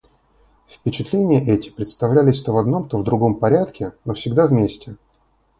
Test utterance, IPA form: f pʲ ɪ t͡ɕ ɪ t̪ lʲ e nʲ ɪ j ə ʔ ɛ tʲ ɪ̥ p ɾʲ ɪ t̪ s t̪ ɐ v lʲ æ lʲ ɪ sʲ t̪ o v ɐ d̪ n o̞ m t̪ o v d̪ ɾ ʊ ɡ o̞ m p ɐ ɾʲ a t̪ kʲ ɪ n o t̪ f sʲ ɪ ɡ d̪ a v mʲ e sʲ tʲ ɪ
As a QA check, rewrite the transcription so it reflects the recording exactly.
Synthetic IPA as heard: f pʲ ɪ t͡ɕ ɪ t̪ lʲ e nʲ ɪ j ə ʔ ɛ tʲ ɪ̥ p ɾʲ ɪ t̪ s t̪ ɐ v lʲ æ lʲ ɪ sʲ t̪ o v ɐ d̪ n o̞ m t̪ o v d̪ ɾ ʊ ɡ o̞ m p ɐ ɾʲ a t̪ kʲ ɪ n o f sʲ ɪ ɡ d̪ a v mʲ e sʲ tʲ ɪ